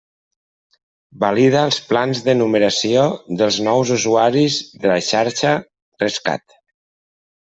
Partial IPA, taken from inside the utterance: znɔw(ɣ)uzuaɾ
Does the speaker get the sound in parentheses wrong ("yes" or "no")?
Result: yes